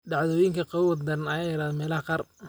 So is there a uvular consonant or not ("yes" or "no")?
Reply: yes